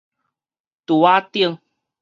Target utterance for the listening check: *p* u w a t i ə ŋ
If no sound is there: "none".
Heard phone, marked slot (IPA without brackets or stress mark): t